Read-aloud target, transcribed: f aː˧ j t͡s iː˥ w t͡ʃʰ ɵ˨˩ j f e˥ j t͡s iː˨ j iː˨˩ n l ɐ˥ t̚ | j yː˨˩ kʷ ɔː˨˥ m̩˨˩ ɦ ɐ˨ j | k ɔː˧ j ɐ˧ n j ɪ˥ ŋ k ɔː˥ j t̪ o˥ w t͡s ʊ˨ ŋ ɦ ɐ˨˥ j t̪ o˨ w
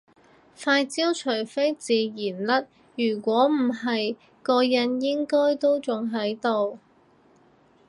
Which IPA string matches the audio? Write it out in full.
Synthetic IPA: f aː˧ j t͡s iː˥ w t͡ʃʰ ɵ˨˩ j f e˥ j t͡s iː˨ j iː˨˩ n l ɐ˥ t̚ | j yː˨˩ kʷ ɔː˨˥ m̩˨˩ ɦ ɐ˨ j | k ɔː˧ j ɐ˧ n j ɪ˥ ŋ k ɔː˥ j t̪ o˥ w t͡s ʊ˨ ŋ ɦ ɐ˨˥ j t̪ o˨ w